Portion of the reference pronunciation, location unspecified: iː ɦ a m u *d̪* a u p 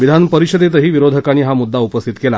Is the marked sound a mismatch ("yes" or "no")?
yes